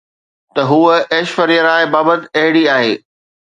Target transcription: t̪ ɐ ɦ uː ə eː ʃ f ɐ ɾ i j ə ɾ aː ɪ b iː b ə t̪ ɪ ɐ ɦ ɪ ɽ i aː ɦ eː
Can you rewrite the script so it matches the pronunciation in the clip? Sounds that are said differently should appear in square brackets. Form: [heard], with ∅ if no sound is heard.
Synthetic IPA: t̪ ɐ ɦ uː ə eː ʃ f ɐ ɾ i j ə ɾ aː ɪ b [aː] b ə t̪ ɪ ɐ ɦ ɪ ɽ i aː ɦ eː